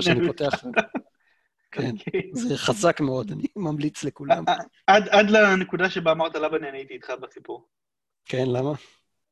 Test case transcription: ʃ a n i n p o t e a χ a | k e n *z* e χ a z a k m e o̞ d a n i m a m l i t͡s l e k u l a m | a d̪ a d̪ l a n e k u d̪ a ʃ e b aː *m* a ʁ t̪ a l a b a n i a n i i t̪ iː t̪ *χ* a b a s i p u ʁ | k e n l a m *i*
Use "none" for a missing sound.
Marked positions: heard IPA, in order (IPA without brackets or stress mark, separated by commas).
z, m, χ, a